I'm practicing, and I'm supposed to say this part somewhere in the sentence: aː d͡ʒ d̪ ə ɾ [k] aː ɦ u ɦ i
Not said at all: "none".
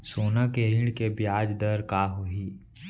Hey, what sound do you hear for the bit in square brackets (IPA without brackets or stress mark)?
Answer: k